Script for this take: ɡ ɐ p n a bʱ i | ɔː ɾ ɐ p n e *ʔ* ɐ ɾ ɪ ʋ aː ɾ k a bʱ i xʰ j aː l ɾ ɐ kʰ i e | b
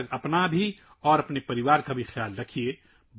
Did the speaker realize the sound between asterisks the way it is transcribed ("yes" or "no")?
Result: no